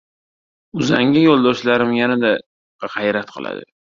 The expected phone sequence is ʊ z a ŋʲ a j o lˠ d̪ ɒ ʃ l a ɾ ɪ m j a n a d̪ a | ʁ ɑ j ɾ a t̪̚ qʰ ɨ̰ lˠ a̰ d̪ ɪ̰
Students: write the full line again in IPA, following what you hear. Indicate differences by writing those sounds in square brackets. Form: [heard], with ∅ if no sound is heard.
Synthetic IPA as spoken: ʊ z a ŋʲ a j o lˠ d̪ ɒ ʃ l a ɾ ɪ m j a n a d̪ a | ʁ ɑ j ɾ a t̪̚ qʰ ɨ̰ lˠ a̰ d̪ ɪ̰